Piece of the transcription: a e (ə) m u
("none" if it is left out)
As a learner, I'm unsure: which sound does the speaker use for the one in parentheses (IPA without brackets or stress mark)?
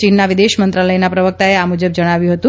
a